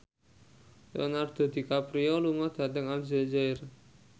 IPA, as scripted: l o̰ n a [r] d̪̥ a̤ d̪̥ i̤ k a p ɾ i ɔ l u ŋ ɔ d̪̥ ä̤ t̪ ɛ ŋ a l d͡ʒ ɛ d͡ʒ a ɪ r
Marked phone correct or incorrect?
correct